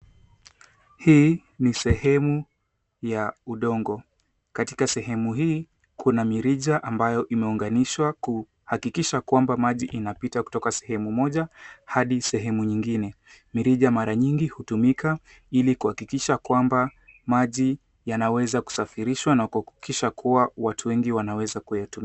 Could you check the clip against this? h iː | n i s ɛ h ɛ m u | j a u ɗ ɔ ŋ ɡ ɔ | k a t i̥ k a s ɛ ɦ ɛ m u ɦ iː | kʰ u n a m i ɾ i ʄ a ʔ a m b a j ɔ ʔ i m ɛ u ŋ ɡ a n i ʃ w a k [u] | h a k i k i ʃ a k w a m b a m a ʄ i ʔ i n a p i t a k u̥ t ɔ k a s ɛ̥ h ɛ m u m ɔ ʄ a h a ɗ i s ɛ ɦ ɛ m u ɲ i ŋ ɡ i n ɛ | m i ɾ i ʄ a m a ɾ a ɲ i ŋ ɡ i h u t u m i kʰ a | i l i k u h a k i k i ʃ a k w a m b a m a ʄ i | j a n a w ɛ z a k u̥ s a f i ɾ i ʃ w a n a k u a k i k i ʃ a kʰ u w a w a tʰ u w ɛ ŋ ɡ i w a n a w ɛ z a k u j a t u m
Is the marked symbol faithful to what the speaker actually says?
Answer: yes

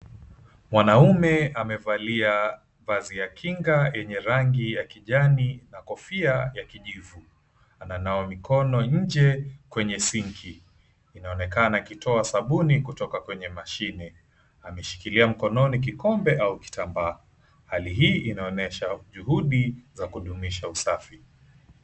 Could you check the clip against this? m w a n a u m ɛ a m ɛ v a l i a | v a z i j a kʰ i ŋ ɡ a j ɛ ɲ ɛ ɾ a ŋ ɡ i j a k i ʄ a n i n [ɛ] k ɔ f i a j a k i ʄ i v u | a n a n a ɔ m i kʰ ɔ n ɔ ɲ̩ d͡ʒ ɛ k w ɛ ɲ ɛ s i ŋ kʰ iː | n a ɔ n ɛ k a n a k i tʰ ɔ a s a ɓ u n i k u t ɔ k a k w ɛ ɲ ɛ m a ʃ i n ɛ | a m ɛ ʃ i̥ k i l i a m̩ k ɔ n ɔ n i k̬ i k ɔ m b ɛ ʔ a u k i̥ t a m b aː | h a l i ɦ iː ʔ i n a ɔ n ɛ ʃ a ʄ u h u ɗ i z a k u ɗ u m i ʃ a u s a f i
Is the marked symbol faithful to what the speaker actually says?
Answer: no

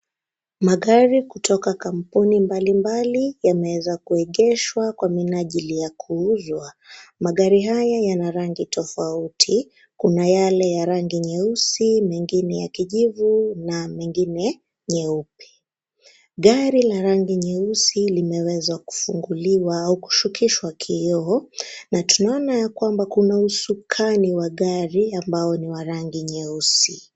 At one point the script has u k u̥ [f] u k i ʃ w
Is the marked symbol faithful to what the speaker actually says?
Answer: no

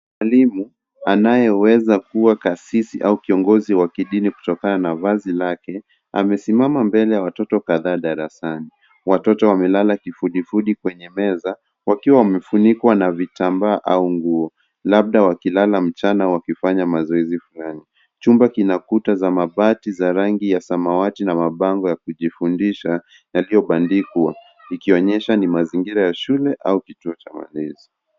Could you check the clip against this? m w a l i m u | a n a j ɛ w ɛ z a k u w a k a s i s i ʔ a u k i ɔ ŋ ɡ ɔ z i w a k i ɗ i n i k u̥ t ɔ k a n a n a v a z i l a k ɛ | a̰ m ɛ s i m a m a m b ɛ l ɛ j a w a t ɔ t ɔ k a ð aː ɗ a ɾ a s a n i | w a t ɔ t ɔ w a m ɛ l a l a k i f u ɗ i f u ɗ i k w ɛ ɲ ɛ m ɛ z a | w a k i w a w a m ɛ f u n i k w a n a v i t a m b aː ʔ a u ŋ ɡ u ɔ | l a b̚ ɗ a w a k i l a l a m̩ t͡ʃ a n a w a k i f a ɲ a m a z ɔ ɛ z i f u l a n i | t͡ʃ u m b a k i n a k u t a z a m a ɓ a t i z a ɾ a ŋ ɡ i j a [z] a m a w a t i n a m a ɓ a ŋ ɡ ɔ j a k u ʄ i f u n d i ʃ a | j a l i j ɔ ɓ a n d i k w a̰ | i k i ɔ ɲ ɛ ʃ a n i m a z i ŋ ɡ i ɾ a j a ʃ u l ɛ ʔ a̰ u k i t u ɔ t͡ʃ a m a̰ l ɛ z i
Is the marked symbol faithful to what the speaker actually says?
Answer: no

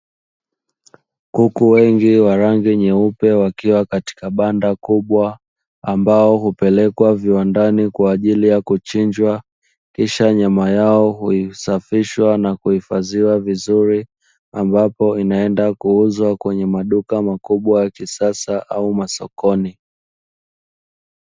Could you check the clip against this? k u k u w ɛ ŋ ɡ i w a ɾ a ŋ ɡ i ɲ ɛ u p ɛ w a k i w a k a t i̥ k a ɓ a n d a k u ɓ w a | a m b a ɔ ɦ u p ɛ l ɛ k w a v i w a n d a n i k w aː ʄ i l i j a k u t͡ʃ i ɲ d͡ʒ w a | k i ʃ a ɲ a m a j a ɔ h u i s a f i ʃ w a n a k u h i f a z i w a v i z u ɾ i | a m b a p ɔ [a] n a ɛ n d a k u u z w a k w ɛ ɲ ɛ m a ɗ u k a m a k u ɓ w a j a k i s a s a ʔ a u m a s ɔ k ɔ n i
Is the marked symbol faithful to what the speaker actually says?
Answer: no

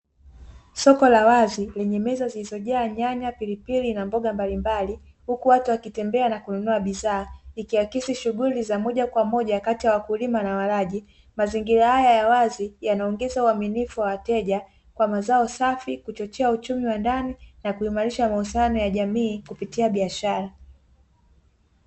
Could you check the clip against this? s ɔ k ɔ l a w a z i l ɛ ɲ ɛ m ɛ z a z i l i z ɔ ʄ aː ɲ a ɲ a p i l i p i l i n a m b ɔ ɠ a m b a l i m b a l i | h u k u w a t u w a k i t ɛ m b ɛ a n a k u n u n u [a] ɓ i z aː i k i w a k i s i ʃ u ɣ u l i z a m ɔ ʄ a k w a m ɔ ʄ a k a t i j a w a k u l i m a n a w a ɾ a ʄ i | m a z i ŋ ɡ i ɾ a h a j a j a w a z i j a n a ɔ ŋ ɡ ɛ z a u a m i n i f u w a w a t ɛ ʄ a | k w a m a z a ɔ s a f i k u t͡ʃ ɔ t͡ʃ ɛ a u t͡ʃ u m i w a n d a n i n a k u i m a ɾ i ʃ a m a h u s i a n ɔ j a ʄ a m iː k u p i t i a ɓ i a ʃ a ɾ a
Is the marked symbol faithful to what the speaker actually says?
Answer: yes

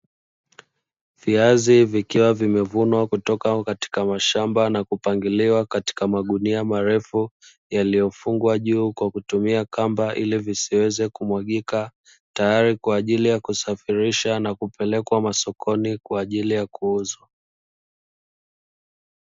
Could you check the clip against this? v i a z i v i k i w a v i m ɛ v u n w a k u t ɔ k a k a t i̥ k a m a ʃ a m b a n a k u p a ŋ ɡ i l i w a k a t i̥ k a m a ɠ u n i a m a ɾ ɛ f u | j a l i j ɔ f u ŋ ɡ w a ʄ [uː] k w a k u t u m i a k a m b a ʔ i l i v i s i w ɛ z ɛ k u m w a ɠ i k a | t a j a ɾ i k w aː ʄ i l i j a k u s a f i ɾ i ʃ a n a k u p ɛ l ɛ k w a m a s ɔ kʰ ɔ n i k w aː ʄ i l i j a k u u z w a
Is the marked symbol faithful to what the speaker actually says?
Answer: yes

